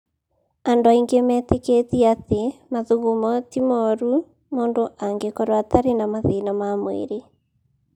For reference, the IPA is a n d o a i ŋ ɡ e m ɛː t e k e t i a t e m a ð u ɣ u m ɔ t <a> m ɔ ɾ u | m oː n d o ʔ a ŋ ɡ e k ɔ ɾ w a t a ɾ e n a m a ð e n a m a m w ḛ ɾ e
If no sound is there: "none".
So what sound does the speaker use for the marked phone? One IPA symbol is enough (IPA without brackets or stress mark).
i